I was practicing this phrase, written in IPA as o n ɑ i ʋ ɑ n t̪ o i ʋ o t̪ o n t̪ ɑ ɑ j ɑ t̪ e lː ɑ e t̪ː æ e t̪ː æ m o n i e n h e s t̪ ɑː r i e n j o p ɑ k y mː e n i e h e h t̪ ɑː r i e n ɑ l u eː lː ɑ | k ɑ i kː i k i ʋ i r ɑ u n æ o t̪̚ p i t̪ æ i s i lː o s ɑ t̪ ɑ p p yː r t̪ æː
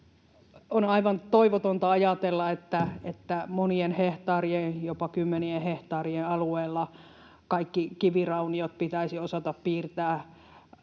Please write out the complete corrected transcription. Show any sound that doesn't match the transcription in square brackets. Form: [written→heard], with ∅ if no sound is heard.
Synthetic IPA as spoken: o n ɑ i ʋ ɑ n t̪ o i ʋ o t̪ o n t̪ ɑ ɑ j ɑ t̪ e lː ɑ e t̪ː æ e t̪ː æ m o n i e n h e [s→h] t̪ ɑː r i e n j o p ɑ k y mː e n i e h e h t̪ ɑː r i e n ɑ l u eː lː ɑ | k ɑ i kː i k i ʋ i r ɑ u n [æ→i] o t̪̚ p i t̪ æ i s i [lː→∅] o s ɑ t̪ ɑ p p [yː→iː] r t̪ æː